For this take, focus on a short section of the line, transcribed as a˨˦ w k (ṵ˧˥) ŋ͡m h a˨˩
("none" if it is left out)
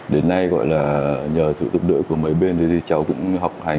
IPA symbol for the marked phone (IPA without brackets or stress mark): ʊ̰˧˥